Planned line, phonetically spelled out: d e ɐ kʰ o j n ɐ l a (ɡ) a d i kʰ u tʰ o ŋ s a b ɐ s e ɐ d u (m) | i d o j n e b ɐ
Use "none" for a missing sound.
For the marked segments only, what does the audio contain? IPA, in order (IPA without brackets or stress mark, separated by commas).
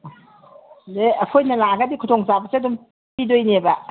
ɡ, m